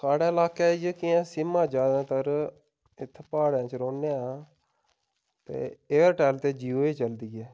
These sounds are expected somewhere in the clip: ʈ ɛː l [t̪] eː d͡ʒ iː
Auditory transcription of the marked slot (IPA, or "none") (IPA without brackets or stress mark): t̪